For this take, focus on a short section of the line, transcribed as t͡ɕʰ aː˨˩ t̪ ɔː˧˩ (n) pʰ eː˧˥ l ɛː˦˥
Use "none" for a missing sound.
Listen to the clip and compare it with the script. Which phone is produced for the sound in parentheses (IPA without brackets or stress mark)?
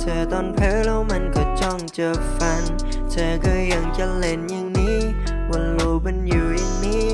n